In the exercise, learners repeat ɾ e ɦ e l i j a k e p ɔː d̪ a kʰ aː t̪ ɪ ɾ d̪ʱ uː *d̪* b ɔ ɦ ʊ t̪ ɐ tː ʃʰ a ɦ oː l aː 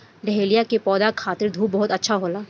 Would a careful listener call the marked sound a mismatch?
yes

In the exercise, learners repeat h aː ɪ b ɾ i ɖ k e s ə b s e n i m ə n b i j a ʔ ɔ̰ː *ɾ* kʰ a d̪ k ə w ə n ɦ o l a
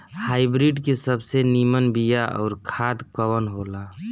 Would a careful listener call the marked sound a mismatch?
no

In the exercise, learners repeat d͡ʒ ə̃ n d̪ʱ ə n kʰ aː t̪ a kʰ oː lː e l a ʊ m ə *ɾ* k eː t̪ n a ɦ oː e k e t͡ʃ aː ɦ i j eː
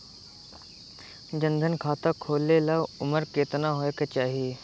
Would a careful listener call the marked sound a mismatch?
no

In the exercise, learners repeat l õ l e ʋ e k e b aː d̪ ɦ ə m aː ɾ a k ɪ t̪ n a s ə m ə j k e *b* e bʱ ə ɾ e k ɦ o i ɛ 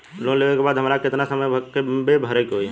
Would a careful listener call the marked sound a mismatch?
no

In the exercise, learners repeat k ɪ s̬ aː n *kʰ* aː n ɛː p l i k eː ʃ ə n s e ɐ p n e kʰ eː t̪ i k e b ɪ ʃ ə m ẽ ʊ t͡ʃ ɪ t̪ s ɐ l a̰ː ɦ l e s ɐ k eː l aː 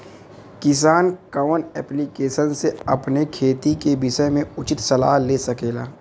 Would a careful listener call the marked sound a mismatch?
yes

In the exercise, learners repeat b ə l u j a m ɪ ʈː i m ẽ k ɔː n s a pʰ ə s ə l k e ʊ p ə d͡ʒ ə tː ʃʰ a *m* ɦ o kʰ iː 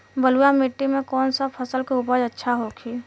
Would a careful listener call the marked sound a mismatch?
yes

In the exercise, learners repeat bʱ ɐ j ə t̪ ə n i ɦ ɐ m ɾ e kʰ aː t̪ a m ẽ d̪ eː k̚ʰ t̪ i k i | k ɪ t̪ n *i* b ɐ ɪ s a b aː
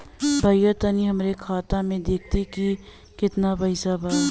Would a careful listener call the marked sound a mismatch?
yes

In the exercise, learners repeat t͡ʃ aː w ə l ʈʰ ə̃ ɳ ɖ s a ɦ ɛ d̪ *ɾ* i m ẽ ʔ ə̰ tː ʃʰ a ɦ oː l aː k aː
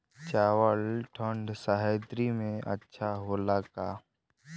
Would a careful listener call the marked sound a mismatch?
no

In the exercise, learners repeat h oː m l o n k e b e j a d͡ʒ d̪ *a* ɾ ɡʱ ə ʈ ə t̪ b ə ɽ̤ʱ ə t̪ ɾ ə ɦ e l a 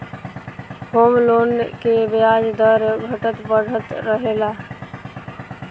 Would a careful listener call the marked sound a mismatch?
yes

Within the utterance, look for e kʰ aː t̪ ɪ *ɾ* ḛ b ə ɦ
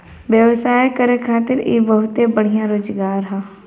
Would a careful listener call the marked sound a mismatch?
no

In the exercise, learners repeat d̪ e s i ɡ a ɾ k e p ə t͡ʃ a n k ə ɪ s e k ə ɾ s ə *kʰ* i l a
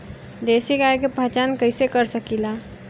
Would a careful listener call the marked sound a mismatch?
yes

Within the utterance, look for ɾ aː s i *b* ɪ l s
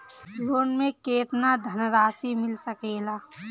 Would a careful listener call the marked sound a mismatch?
yes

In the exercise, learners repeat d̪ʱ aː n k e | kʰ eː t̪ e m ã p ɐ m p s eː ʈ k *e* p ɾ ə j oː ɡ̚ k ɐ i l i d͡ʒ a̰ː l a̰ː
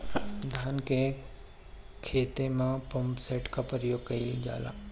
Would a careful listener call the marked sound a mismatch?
yes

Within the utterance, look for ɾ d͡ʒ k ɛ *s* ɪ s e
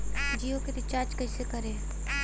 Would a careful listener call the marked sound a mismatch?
yes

